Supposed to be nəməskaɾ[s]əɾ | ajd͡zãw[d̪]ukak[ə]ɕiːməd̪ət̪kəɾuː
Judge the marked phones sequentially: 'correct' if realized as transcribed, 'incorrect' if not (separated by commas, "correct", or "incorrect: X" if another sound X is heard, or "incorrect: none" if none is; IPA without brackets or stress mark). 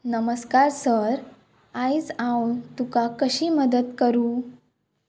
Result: correct, incorrect: t̪, correct